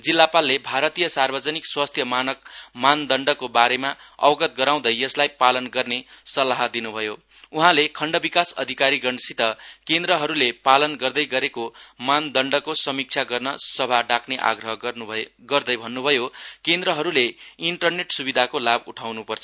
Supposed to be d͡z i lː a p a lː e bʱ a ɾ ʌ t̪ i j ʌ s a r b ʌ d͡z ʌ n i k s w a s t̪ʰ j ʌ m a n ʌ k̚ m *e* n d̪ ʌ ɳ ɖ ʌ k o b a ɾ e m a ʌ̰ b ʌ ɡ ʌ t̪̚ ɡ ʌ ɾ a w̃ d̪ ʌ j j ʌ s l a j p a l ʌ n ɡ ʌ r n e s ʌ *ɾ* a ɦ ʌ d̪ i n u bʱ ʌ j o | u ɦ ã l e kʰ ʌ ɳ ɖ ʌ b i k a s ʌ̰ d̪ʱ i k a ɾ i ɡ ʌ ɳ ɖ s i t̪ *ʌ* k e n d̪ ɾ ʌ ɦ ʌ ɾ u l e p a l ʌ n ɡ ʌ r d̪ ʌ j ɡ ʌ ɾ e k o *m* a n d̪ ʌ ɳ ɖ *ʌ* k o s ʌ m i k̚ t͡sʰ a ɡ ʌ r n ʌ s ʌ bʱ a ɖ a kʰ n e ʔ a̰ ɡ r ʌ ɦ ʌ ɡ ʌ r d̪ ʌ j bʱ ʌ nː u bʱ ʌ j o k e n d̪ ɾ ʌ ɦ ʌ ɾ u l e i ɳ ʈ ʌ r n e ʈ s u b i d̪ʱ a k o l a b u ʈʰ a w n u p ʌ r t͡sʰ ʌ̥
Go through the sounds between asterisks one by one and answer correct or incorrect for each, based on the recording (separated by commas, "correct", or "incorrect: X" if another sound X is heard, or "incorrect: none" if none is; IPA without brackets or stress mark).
incorrect: a, incorrect: l, correct, correct, correct